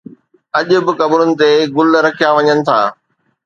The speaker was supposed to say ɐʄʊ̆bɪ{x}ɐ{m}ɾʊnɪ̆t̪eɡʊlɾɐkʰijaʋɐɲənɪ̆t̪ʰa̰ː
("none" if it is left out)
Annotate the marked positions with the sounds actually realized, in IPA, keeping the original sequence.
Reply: k, b

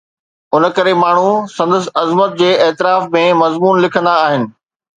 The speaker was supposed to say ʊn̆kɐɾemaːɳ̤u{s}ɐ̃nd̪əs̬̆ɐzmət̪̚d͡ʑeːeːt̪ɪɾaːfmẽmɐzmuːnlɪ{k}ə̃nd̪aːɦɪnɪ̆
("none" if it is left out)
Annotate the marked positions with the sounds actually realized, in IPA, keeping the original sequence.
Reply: s, kʰ

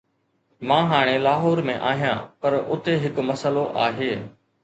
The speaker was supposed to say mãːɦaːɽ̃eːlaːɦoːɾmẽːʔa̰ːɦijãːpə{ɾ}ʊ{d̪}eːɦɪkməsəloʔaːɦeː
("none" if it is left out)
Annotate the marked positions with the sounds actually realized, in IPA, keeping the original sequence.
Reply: ɾ, t̪

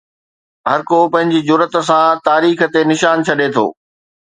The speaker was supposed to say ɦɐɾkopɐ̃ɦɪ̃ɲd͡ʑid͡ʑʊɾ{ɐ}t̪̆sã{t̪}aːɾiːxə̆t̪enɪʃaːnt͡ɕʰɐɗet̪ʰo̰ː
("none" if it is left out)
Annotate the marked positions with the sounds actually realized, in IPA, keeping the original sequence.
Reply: ə, t̪

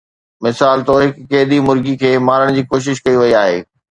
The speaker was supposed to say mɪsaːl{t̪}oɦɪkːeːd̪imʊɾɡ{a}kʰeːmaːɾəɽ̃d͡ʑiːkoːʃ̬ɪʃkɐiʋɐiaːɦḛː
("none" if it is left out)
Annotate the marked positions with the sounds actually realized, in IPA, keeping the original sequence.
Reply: t̪, i

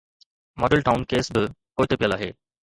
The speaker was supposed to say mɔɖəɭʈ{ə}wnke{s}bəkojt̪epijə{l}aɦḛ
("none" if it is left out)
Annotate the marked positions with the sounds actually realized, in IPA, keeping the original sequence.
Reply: a, s, l

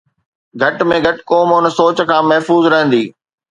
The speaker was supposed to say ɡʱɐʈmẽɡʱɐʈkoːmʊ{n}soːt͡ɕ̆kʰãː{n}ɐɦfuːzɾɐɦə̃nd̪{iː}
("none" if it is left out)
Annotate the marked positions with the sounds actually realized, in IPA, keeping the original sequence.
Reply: n, m, iː

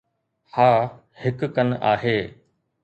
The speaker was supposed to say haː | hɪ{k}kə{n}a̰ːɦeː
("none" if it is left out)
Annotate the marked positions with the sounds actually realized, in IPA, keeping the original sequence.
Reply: k, n

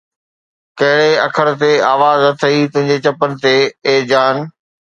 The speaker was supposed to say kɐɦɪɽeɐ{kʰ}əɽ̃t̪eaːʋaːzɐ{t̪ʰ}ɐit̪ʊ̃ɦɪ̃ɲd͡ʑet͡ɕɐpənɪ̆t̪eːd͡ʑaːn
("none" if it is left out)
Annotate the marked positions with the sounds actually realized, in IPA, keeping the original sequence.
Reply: kʰ, t̪ʰ

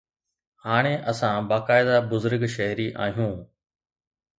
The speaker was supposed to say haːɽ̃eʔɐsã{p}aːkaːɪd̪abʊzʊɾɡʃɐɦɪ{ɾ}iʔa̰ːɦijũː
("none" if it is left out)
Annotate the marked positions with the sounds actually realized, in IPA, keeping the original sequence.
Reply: b, ɾ

